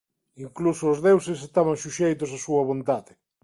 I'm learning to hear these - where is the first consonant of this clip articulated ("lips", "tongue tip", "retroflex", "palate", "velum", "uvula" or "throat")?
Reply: velum